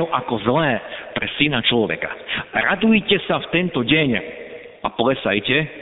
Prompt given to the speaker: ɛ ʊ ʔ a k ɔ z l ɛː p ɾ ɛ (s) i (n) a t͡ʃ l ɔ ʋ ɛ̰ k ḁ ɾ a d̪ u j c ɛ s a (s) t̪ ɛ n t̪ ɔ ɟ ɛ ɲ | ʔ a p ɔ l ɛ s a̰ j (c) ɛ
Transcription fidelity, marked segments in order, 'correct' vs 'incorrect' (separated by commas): correct, correct, incorrect, correct